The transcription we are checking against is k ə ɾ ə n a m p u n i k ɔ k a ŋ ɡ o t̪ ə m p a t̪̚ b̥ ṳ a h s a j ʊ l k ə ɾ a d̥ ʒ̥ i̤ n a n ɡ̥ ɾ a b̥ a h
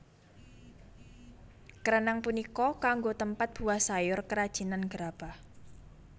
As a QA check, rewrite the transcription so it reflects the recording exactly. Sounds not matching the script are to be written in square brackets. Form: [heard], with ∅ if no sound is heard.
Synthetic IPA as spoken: k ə ɾ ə n a [ŋ] p u n i k ɔ k a ŋ ɡ o t̪ ə m p a t̪̚ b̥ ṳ a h s a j ʊ [r] k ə ɾ a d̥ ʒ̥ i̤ n a n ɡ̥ ɾ a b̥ a h